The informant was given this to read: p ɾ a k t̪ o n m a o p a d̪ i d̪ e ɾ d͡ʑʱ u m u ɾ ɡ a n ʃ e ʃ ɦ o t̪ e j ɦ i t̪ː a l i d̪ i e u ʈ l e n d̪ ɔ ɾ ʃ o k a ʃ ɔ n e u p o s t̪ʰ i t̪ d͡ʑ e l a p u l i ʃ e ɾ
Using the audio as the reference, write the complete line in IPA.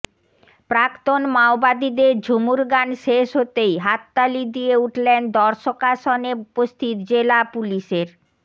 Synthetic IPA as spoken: p ɾ a k t̪ o n m a o b a d̪ i d̪ e ɾ d͡ʑʱ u m u ɾ ɡ a n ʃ e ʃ ɦ o t̪ e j ɦ a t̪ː a l i d̪ i e u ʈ l e n d̪ ɔ ɾ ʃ o k a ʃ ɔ n e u p o s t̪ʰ i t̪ d͡ʑ e l a p u l i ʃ e ɾ